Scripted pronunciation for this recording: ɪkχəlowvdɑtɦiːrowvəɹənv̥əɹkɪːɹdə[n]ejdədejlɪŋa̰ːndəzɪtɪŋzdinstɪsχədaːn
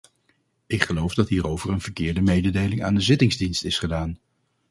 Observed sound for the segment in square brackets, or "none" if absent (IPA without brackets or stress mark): m